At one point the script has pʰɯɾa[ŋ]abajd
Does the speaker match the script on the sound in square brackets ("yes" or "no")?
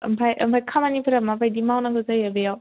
no